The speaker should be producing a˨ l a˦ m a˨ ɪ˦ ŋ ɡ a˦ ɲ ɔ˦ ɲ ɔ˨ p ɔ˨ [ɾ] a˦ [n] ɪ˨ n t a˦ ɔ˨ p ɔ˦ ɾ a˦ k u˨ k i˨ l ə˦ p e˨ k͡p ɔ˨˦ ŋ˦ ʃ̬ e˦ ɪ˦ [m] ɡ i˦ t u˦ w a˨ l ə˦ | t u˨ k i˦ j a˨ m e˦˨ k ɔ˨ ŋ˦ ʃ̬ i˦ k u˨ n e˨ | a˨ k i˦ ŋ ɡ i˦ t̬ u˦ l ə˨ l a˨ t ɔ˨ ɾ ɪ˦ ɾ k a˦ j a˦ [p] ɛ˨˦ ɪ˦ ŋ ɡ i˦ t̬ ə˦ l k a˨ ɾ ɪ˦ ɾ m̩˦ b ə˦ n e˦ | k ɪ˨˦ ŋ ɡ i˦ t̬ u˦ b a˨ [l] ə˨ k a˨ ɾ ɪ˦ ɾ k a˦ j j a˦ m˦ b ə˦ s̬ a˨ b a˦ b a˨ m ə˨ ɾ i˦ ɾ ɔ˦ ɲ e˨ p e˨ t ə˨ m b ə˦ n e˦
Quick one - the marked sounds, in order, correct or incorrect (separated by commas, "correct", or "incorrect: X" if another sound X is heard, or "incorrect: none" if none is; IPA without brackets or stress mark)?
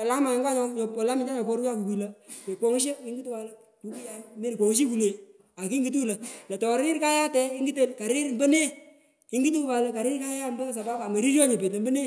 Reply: incorrect: l, incorrect: m, incorrect: ŋ, incorrect: t, correct